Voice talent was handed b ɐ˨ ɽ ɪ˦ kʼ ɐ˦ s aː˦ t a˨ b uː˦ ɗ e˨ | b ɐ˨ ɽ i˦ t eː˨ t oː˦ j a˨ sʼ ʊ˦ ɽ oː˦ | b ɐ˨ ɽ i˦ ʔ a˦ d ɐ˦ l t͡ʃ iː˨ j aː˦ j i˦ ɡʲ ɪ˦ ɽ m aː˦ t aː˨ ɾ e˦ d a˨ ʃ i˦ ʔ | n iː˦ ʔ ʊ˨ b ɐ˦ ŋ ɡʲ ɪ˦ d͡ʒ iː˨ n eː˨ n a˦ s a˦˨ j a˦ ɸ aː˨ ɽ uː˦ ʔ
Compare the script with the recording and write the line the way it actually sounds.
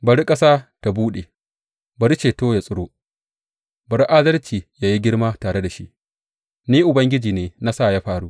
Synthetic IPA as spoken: b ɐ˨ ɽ i˦ kʼ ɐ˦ s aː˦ t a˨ b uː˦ ɗ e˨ | b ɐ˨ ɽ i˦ t͡ʃ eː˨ t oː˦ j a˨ sʼ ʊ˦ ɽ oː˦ | b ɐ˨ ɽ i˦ ʔ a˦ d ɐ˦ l t͡ʃ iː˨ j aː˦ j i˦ ɡʲ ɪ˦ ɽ m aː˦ t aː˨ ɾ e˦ d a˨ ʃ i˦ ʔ | n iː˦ ʔ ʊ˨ b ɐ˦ ŋ ɡʲ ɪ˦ d͡ʒ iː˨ n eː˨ n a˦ s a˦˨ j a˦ ɸ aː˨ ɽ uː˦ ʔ